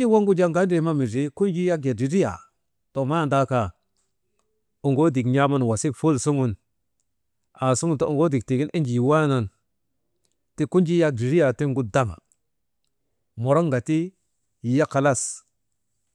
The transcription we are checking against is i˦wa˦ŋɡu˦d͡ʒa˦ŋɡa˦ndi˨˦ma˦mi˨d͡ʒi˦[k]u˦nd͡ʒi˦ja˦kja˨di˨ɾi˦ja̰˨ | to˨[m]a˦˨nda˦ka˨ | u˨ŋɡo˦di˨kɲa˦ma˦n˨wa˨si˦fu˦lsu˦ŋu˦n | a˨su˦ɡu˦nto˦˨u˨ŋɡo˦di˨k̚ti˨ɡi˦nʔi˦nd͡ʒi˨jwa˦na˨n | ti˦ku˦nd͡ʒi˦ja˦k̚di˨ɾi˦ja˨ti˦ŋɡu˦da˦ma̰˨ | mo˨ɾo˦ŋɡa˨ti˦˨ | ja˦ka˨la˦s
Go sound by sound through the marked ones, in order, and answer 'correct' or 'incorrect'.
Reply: correct, correct

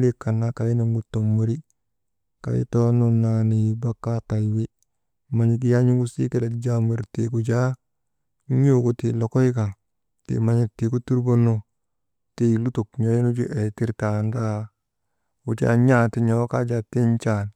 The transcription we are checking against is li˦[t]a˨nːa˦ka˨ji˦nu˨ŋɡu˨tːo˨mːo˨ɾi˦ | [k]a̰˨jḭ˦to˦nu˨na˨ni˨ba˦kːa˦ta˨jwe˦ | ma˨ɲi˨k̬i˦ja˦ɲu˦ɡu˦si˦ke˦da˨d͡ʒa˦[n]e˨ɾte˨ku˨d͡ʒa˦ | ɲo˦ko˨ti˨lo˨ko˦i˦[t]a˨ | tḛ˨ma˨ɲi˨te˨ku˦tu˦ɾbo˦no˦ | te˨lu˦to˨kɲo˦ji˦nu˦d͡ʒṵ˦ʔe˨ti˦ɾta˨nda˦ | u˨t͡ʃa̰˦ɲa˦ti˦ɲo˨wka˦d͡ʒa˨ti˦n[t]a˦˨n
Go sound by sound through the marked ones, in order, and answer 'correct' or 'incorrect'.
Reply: incorrect: k, correct, incorrect: m, incorrect: k, incorrect: t͡ʃ

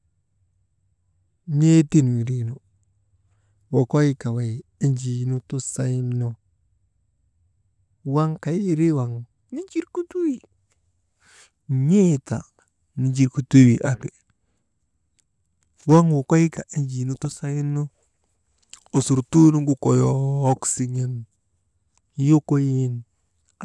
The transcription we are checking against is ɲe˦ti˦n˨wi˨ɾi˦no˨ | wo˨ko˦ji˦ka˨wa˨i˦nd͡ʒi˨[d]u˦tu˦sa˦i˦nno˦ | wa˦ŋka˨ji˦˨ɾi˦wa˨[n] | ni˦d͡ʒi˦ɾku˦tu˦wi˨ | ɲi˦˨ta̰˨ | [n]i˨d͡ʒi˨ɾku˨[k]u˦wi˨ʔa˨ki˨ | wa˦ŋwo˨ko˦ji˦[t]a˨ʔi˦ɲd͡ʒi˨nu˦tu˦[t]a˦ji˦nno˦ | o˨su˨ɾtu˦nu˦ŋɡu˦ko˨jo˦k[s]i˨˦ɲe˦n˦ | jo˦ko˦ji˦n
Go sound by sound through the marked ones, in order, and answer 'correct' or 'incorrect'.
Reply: incorrect: n, incorrect: ŋ, correct, incorrect: t, incorrect: k, incorrect: s, correct

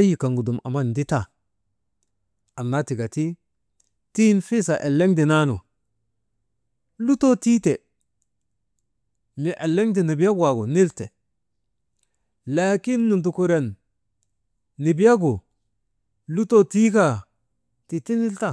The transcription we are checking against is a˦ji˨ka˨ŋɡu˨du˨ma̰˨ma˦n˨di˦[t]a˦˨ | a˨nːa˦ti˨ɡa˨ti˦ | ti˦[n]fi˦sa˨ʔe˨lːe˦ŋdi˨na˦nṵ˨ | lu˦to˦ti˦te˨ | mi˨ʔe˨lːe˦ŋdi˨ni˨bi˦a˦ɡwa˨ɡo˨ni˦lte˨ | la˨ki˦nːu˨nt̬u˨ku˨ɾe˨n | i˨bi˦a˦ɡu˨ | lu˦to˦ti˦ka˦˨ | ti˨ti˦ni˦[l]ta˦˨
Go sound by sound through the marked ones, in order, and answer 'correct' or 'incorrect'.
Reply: correct, correct, correct

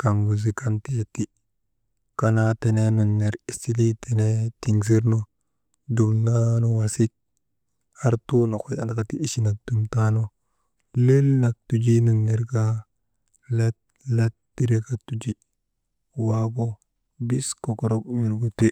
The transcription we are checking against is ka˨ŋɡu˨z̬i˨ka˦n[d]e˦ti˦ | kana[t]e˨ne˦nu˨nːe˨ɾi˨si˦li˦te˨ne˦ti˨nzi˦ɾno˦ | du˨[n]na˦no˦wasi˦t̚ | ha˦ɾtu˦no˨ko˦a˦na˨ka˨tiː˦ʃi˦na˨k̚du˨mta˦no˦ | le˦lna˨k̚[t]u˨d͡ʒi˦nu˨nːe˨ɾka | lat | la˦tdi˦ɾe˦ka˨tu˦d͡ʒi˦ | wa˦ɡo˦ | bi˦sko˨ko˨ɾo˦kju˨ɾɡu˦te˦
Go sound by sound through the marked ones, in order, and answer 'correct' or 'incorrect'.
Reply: incorrect: t, correct, incorrect: m, correct

